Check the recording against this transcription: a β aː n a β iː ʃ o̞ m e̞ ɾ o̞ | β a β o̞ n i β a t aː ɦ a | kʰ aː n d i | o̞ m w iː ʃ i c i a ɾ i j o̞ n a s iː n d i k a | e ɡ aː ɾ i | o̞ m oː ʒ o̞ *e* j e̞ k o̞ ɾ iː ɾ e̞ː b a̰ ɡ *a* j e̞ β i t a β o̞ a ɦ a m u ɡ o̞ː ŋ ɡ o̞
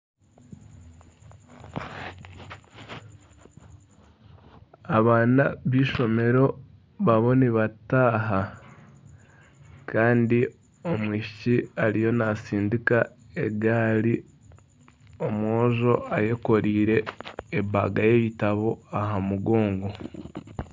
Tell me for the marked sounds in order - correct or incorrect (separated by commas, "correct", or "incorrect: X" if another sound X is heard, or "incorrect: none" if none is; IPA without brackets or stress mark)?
incorrect: a, correct